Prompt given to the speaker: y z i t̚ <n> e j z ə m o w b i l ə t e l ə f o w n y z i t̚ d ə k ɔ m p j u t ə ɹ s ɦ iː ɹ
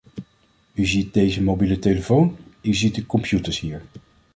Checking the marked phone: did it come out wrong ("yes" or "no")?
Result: yes